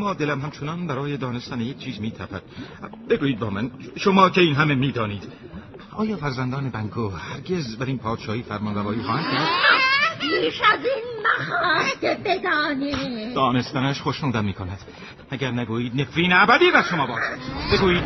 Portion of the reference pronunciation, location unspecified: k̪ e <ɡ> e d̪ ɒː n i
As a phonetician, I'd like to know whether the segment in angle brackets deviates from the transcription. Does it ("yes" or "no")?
yes